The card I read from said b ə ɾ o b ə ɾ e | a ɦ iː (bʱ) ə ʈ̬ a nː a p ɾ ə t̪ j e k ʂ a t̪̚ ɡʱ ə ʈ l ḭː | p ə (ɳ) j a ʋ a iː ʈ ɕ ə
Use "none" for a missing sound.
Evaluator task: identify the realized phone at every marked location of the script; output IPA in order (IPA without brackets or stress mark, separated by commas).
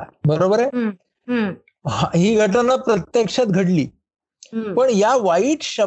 ɡʱ, ɳ